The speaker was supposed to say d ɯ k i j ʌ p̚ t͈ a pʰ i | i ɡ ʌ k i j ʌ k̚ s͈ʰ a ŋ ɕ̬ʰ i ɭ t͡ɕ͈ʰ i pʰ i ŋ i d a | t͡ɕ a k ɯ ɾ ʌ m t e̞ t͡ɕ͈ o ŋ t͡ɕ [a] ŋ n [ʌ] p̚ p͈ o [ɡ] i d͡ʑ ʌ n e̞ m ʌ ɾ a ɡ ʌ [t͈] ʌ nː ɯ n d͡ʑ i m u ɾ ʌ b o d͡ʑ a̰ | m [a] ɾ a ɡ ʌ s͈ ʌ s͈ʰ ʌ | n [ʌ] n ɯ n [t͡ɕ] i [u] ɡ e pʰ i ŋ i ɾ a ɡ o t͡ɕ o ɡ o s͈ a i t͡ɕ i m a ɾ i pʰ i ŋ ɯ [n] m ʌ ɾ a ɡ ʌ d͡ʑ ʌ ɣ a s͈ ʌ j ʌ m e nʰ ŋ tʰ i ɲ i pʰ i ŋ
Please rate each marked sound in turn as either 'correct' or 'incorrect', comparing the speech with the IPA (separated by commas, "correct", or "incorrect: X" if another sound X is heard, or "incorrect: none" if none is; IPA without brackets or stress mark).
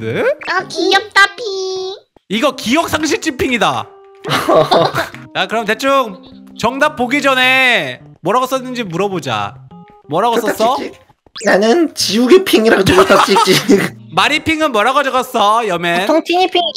incorrect: ʌ, incorrect: a, correct, incorrect: s͈, incorrect: ʌ, incorrect: a, correct, correct, correct